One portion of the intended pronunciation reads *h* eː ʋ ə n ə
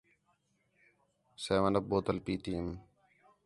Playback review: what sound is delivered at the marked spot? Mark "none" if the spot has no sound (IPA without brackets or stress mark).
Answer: s